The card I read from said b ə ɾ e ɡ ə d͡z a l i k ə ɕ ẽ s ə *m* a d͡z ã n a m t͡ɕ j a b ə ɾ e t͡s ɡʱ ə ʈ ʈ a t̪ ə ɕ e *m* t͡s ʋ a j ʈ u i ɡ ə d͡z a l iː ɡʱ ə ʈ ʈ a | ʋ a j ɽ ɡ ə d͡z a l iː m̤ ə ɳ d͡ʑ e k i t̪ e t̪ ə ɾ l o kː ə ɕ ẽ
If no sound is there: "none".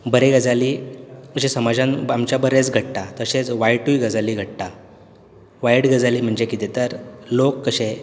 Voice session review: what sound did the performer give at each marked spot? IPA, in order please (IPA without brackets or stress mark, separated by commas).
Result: m, none